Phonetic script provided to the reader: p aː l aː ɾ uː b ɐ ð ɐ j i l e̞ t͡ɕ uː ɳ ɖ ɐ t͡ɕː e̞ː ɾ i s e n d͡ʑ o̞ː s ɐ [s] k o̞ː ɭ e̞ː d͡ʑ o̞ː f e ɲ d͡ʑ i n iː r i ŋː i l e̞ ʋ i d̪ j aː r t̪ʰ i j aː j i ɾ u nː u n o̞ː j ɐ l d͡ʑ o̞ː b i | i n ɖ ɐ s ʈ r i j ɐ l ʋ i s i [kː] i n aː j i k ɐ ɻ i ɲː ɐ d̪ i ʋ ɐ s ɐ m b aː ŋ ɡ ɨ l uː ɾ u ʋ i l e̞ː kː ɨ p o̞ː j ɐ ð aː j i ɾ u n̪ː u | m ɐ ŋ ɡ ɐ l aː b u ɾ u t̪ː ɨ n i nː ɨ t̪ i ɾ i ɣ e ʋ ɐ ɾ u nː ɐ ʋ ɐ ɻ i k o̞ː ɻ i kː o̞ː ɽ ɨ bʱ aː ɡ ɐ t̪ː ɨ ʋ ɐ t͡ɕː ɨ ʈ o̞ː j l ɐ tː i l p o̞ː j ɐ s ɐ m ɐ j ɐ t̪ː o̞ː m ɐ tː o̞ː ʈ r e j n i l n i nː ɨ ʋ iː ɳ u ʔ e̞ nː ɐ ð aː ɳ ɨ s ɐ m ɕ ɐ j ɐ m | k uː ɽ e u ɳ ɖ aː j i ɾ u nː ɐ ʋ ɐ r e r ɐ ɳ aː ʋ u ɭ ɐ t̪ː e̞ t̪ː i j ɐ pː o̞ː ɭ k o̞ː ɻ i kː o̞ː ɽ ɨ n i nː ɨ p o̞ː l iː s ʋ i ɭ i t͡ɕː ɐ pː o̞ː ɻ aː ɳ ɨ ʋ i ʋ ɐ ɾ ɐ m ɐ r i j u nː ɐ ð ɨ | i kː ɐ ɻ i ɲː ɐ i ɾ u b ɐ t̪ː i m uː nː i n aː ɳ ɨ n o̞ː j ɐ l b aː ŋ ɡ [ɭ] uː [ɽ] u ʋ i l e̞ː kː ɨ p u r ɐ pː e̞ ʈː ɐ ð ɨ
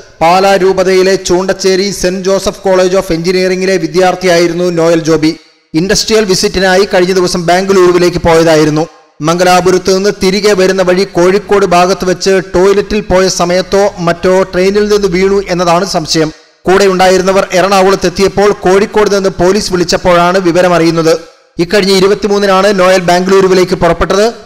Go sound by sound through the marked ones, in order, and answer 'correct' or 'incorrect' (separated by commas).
incorrect, incorrect, incorrect, incorrect